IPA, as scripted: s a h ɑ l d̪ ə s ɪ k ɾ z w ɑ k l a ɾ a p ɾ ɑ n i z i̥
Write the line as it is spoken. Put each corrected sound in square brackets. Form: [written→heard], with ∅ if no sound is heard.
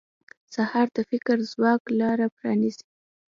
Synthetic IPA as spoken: s a h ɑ [l→ɾ] d̪ ə [s→f] ɪ k ɾ z w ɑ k l [a→ɑ] ɾ a p ɾ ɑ n i z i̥